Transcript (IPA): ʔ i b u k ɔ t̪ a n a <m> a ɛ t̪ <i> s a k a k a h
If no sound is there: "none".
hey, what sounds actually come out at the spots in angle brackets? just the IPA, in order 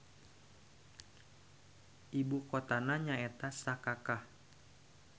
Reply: ɲ, a

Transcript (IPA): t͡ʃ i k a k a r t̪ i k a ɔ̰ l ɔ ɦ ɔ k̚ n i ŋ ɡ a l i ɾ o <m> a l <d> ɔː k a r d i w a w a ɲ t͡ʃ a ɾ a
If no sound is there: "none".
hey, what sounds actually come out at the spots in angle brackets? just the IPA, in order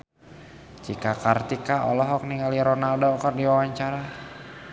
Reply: n, d

